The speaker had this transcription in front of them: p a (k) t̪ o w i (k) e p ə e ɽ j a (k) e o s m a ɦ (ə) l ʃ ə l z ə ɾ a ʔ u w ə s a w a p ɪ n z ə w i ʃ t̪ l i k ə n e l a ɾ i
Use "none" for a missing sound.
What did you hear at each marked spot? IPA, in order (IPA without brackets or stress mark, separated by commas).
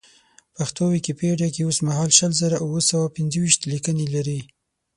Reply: x, k, k, ɑ